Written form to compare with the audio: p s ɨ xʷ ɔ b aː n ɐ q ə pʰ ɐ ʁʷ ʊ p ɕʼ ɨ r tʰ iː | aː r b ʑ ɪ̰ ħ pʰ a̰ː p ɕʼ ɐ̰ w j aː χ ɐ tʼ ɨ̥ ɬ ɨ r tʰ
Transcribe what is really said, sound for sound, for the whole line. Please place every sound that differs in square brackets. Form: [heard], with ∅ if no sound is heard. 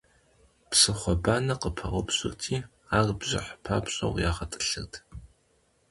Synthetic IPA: p s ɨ [χʷ] ɔ b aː n ɐ q ə pʰ ɐ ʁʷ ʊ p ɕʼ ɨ r tʰ iː | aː r b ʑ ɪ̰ ħ pʰ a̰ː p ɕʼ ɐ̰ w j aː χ ɐ tʼ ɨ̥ ɬ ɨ r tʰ